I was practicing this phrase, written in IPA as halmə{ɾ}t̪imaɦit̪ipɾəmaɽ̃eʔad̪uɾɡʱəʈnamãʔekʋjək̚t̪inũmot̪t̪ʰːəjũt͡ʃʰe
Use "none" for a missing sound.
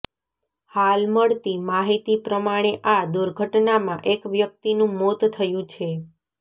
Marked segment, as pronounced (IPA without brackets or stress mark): ɭ